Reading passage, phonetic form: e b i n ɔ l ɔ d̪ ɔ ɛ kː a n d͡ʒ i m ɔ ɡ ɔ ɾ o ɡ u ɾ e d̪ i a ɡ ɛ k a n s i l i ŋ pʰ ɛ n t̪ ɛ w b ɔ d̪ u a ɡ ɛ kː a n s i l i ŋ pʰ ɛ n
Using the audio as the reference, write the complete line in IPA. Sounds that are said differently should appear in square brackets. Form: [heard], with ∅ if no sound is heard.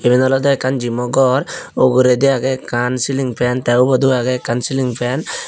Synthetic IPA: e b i n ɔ l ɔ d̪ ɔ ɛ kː a n d͡ʒ i m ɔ ɡ ɔ ɾ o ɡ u ɾ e d̪ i a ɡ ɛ k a n s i l i ŋ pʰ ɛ n t̪ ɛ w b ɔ d̪ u a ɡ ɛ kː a n s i l i ŋ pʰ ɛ n

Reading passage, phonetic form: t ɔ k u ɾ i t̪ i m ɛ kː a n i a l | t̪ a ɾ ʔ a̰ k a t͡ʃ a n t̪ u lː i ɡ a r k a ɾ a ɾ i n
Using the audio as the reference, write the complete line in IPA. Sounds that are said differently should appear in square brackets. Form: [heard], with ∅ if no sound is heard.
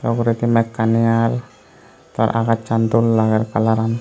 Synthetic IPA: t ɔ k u ɾ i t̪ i m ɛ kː a n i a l | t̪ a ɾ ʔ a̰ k a t͡ʃ a n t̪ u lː [a] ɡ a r k a [l] a ɾ [a] n

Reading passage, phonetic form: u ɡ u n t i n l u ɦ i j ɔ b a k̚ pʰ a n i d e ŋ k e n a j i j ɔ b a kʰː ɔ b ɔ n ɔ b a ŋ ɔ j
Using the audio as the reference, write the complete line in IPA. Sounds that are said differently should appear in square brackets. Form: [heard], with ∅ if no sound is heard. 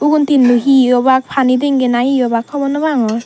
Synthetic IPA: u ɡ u n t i n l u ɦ i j ɔ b a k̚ pʰ a n i d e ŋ [ɡ] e n a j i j ɔ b a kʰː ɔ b ɔ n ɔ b a ŋ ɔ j

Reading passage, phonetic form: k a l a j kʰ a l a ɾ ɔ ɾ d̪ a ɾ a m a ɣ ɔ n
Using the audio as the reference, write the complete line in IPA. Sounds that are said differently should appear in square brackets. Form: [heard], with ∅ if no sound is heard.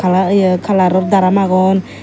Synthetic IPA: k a l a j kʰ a l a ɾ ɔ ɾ d̪ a ɾ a m a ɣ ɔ n

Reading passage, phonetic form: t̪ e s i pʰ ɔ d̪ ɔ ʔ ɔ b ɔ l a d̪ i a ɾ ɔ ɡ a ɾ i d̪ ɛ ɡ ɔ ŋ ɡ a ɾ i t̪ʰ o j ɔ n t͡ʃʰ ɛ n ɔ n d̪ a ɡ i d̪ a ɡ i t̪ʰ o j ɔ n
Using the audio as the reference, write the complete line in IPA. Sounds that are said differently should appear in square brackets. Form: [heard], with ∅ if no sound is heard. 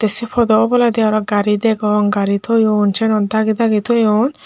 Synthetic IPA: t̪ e s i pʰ ɔ d̪ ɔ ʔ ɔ b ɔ l a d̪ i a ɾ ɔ ɡ a ɾ i d̪ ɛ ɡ ɔ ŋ ɡ a ɾ i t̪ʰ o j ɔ n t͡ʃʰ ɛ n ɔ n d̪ a ɡ i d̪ a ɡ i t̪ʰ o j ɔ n

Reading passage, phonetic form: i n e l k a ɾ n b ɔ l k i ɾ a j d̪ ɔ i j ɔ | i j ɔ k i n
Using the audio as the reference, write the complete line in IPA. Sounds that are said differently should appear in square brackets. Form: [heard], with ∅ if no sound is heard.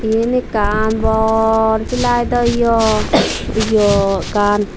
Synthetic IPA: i n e [∅] k a [∅] n b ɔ [ɾ] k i [l] a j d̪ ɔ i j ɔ | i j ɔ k [a] n

